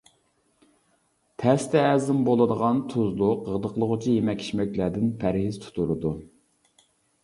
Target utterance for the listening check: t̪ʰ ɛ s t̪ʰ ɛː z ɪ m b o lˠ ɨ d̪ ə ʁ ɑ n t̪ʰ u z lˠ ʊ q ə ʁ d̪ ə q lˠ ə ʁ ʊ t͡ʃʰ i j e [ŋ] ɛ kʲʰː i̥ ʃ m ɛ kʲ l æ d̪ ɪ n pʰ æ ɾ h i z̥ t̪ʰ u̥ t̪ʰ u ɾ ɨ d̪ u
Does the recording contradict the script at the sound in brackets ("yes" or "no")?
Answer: yes